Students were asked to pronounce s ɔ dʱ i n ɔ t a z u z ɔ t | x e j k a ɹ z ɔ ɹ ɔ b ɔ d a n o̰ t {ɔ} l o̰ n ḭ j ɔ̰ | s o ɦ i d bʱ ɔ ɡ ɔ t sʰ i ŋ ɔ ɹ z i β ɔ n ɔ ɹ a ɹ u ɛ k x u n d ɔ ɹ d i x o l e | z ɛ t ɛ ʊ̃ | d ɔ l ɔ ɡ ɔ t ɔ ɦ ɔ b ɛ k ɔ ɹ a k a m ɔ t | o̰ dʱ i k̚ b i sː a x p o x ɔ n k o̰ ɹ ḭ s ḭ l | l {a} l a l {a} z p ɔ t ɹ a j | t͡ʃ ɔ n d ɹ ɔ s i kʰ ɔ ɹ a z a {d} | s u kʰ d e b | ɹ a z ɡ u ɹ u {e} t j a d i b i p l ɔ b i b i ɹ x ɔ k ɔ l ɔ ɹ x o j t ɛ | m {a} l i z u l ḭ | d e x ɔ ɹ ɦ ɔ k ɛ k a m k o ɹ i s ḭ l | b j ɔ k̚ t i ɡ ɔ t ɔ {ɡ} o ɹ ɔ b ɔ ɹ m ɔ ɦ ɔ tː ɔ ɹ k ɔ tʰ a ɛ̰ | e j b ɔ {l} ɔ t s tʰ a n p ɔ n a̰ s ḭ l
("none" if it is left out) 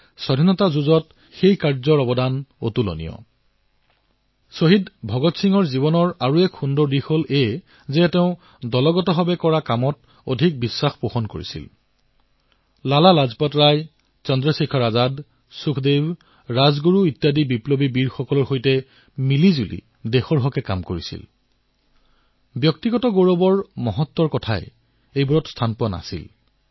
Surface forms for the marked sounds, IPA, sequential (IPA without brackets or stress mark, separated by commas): u, a, a, d, i, i, ɡ, ɹ